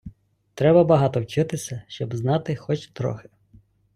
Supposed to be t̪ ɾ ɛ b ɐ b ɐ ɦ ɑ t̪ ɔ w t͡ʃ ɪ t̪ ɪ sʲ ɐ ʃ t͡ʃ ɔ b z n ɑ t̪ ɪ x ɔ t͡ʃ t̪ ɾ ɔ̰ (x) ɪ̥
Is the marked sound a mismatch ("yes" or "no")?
no